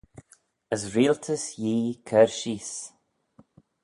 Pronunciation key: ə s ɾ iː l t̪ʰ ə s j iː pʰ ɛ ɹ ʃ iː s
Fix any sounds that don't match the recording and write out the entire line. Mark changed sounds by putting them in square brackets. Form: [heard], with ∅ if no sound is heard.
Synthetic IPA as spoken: ə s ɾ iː l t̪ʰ ə s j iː [kʰ] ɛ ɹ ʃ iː s